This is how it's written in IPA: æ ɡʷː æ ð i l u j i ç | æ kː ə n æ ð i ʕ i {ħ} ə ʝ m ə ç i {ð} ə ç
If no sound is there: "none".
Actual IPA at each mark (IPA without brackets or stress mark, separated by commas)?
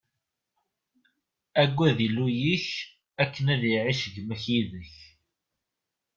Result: ʃ, ð